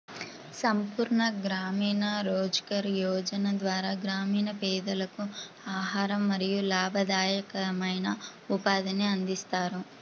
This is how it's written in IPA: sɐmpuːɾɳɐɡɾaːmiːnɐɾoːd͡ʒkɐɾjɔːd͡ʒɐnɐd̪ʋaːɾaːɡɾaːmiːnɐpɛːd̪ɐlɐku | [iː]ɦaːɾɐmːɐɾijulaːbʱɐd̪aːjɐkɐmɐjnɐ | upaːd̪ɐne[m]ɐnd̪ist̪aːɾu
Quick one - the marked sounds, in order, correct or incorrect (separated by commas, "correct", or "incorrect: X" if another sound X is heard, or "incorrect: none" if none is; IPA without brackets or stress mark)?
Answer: incorrect: aː, incorrect: none